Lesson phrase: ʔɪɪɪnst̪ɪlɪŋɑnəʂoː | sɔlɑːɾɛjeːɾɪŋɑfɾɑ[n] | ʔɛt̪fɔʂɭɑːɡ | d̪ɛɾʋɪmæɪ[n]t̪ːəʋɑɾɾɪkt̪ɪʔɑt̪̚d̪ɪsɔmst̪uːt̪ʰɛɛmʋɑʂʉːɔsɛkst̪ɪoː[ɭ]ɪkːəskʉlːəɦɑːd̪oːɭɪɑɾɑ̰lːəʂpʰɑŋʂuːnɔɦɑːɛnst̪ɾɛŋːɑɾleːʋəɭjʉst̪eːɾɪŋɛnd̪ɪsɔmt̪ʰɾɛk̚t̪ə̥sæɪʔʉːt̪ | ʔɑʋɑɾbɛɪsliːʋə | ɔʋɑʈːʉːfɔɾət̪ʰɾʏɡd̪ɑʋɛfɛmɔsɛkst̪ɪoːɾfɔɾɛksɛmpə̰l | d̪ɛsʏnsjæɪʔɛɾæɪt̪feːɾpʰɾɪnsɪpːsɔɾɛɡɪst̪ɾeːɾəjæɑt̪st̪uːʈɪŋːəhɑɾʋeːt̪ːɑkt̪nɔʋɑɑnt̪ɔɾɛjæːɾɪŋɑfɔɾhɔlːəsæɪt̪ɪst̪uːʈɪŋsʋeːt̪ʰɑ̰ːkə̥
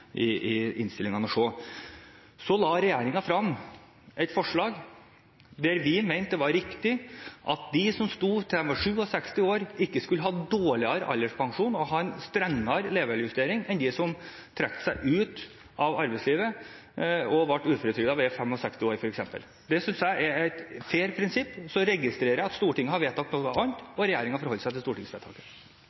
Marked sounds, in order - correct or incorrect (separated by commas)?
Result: incorrect, correct, incorrect